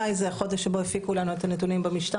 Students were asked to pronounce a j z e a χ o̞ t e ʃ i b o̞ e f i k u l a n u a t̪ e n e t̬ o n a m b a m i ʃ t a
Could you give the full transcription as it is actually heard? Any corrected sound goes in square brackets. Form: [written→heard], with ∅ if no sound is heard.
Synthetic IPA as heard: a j z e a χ o̞ [t→d] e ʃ [i→e] b o̞ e f i k u l a n u [a→e] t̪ [e→a] n e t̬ [o→u] n [a→i] m b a m i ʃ t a